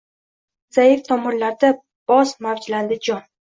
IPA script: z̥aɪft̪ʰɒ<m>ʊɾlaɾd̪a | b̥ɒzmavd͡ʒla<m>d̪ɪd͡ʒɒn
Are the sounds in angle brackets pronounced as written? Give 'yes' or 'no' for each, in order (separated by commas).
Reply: yes, no